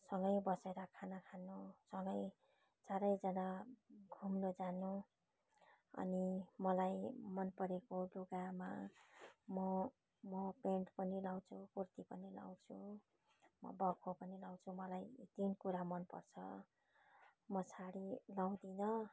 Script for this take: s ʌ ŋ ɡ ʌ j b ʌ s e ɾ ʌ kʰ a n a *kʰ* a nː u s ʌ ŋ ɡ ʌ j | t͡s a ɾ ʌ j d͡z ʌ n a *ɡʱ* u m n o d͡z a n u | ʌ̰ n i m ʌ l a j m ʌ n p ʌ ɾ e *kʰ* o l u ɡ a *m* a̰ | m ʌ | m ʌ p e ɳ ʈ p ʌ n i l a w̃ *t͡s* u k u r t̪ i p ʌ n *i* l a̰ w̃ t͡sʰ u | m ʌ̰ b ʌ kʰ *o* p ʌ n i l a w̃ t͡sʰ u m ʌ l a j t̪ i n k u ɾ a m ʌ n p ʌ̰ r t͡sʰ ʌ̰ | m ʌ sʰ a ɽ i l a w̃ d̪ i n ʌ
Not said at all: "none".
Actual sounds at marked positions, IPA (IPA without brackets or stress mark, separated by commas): kʰ, ɡʱ, k, m, t͡sʰ, i, o